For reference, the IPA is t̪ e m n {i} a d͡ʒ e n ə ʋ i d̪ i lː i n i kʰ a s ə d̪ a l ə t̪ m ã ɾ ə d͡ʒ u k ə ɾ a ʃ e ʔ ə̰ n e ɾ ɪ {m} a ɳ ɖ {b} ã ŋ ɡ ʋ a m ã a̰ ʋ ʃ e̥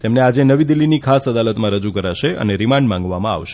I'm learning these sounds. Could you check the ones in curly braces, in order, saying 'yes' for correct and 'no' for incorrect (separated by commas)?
no, yes, no